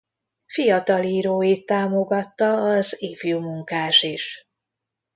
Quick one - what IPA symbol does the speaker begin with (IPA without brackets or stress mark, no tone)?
f